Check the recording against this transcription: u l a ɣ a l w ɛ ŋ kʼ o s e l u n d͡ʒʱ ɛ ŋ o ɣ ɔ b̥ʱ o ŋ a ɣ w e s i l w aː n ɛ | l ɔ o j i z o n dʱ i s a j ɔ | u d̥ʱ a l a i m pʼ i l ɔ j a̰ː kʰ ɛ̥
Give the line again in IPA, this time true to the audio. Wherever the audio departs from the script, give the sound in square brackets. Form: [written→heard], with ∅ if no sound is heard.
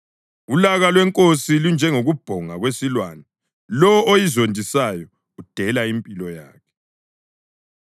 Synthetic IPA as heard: u l a ɣ a l w ɛ ŋ kʼ o s [e→i] l u n d͡ʒʱ ɛ ŋ o ɣ [ɔ→u] b̥ʱ [o→ɔ] ŋ a ɣ w e s i l w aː n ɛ | l ɔ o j i z o n dʱ i s a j ɔ | u d̥ʱ [a→ɛ] l a i m pʼ i l ɔ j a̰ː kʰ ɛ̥